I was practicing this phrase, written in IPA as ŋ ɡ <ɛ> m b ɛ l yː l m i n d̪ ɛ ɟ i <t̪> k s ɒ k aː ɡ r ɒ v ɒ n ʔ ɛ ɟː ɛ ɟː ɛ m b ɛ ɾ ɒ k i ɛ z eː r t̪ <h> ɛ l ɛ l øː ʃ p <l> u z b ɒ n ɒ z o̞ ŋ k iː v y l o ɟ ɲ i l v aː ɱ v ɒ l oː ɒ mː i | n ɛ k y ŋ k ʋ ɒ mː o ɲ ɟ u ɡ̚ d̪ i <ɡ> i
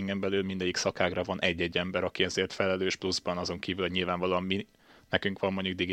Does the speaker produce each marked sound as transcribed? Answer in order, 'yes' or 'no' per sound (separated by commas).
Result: yes, no, no, yes, yes